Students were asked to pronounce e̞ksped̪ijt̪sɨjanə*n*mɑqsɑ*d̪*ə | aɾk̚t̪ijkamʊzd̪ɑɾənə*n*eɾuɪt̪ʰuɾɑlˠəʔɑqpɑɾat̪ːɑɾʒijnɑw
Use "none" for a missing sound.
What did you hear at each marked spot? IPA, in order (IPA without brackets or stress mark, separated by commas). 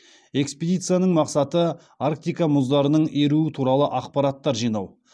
ɴ, t̪, ɴ